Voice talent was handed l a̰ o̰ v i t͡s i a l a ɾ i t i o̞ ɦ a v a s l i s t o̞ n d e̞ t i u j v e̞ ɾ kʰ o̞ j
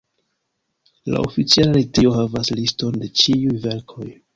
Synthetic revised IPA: l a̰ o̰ f i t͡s i a l a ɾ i t i o̞ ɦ a v a s l i s t o̞ n d e̞ t͡ʃ i u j v e̞ ɾ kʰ o̞ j